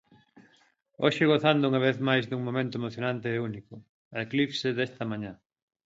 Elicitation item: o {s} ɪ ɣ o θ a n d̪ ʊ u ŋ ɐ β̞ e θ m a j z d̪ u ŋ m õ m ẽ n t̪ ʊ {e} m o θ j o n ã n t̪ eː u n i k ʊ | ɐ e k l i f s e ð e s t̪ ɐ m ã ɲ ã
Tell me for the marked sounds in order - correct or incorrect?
incorrect: ʃ, correct

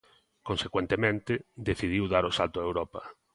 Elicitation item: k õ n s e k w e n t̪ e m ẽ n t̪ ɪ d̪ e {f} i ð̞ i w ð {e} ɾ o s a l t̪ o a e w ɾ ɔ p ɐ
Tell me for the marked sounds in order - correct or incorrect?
incorrect: θ, incorrect: a

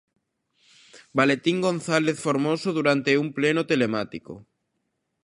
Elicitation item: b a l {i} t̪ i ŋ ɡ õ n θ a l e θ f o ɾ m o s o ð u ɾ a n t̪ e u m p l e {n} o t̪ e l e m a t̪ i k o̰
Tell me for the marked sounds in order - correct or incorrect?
incorrect: e, correct

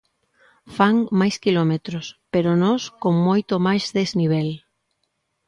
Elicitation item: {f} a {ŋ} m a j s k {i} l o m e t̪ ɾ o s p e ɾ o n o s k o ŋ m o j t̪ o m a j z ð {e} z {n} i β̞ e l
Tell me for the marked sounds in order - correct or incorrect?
correct, correct, correct, correct, correct

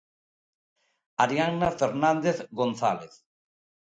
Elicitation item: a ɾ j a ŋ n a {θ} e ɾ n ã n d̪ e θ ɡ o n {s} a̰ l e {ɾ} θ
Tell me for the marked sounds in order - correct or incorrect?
incorrect: f, incorrect: θ, incorrect: none

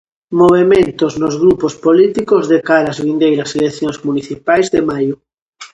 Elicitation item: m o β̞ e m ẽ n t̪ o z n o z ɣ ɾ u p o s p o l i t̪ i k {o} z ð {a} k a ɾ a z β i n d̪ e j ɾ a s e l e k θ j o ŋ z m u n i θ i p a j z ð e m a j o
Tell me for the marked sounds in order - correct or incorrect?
correct, incorrect: e

